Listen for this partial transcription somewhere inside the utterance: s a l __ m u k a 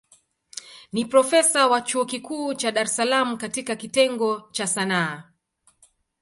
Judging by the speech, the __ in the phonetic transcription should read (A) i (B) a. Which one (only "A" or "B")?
B